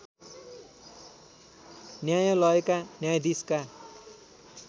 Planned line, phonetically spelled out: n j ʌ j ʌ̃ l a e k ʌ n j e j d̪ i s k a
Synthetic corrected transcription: n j a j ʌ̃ l ʌ e k a n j a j d̪ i s k a